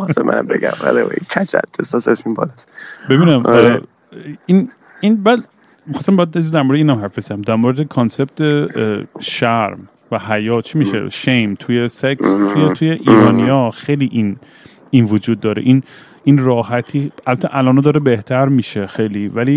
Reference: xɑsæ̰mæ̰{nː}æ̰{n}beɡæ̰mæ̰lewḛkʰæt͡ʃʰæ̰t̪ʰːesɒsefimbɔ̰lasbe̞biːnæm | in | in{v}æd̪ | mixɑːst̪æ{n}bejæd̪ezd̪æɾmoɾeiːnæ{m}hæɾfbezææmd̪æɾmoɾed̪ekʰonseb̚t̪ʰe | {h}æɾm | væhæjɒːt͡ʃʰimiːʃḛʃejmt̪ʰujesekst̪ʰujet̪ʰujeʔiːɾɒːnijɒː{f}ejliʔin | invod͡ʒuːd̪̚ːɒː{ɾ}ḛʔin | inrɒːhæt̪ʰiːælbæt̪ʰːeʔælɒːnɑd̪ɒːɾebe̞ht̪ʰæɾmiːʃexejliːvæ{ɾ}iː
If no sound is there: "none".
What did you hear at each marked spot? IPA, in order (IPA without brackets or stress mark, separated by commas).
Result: n, m, b, m, m, ʃ, x, ɾ, l